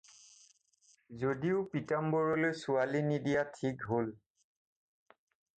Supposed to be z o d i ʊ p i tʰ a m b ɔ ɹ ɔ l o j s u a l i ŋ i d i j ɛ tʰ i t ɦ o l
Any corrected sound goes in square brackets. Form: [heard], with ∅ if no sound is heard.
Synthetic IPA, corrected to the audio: z o d i ʊ p i [t] a m b ɔ ɹ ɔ l o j s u a l i [n] i d i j [a] tʰ i [k] ɦ o l